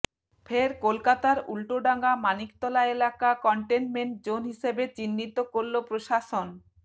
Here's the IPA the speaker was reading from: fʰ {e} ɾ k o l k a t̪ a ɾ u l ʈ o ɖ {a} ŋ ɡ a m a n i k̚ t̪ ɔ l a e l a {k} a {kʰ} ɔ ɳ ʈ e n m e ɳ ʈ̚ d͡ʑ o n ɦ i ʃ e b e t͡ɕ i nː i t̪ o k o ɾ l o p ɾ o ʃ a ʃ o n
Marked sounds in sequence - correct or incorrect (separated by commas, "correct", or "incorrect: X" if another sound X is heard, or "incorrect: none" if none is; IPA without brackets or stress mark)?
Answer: correct, correct, correct, incorrect: k